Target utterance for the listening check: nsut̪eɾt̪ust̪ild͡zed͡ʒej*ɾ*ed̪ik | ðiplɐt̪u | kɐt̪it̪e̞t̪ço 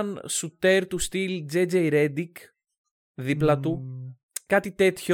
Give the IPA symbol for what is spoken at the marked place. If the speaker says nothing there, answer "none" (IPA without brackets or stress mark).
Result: ɾ